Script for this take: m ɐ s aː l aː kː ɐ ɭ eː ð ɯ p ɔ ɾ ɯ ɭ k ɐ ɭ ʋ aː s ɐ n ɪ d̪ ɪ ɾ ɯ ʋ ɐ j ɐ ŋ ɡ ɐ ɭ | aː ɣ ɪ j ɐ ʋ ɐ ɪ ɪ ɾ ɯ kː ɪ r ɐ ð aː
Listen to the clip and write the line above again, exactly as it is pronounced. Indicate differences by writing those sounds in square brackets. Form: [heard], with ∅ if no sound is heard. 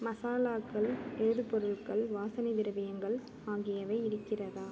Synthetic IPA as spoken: m ɐ s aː l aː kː ɐ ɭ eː ð ɯ p ɔ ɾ ɯ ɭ k ɐ ɭ ʋ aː s ɐ n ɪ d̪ ɪ ɾ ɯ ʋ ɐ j ɐ ŋ ɡ ɐ ɭ | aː ɣ ɪ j ɐ ʋ ɐ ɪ ɪ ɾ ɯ kː ɪ r ɐ ð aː